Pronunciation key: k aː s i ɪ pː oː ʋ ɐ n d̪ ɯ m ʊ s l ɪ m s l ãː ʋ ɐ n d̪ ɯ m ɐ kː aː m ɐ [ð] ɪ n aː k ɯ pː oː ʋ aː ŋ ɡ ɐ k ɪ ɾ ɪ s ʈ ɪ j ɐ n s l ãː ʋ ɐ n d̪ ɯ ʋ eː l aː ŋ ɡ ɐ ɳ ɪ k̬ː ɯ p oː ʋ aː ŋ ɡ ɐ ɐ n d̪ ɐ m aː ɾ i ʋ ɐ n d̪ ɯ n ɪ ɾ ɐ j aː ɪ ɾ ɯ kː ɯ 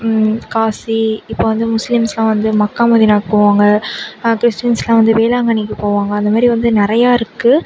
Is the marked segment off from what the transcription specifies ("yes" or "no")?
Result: no